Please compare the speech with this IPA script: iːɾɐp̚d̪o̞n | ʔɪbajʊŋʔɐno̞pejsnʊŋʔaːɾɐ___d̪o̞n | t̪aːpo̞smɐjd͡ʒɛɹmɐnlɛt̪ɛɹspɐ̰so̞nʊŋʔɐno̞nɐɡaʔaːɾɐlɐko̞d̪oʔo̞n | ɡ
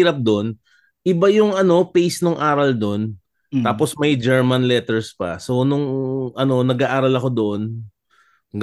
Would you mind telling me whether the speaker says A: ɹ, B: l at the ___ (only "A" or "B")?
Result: B